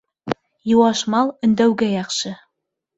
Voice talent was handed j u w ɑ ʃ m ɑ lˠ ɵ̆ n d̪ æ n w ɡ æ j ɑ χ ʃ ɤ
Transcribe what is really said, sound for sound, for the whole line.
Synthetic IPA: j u w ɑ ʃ m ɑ lˠ ɵ̆ n d̪ æ w ɡ æ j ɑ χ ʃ ɤ